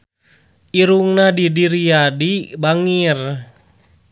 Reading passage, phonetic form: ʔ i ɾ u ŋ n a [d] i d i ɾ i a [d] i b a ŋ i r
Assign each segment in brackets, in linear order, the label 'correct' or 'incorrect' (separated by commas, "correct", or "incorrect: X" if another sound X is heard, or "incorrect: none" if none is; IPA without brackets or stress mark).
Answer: correct, correct